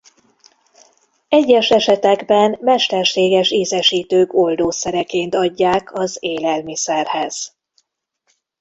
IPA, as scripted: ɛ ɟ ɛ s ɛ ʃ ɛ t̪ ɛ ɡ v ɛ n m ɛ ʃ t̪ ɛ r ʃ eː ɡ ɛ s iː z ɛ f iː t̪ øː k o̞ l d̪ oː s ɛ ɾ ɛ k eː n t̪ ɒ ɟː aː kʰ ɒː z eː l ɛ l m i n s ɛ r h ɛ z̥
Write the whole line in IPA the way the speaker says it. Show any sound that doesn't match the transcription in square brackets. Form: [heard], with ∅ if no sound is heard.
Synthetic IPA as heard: ɛ [ɟː] ɛ [ʃ] ɛ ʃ ɛ t̪ ɛ ɡ [b] ɛ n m ɛ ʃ t̪ ɛ r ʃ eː ɡ ɛ [ʃ] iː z ɛ [ʃ] iː t̪ øː k o̞ l d̪ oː s ɛ ɾ ɛ k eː n t̪ ɒ ɟː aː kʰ [ɒ] z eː l ɛ l m i [∅] s ɛ r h ɛ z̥